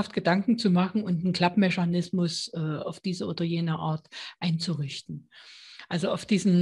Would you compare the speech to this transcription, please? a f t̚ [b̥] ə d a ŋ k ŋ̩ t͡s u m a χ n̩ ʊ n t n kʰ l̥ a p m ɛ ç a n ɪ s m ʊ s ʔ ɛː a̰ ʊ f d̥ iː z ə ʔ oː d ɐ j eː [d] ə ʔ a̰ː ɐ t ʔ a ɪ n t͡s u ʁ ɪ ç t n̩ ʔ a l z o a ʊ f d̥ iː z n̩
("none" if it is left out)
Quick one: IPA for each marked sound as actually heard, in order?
ɡ̥, n

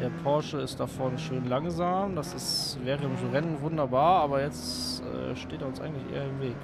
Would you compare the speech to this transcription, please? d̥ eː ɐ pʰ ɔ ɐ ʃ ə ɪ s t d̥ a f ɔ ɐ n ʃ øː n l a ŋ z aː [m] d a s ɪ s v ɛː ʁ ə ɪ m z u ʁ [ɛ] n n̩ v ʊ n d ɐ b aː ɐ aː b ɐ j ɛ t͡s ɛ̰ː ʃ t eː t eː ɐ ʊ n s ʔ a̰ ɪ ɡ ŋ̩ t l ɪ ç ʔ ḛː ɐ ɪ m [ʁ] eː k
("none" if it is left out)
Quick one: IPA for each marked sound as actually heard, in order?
m, ɛ, v

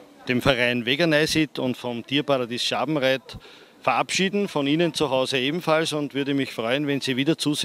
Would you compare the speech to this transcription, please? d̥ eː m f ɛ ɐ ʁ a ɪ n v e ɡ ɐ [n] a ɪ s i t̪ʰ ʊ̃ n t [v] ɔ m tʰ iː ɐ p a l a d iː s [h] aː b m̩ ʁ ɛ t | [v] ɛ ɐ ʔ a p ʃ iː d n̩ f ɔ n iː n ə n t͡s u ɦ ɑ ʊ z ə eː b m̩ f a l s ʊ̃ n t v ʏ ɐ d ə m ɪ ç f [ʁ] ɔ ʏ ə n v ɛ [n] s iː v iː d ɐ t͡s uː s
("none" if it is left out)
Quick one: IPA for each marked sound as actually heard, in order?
n, f, ʃ, f, ʁ, n

